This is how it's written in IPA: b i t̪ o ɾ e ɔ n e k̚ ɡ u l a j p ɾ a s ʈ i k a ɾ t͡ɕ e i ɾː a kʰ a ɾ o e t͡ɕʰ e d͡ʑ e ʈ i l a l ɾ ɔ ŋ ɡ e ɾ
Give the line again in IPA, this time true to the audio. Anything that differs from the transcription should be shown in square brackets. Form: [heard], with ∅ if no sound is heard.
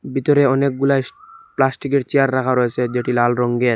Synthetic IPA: b i t̪ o ɾ e ɔ n e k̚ ɡ u l a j p [l] a s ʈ i k [e] ɾ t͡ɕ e [a] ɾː a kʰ a ɾ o e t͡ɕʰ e d͡ʑ e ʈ i l a l ɾ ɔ ŋ ɡ e ɾ